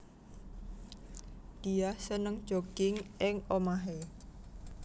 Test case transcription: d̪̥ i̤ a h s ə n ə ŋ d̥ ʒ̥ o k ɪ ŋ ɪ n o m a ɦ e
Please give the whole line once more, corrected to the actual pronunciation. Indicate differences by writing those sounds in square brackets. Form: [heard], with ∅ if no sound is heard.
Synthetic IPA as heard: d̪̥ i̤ a h s ə n ə ŋ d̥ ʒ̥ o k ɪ ŋ ɪ [ŋ] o m a ɦ e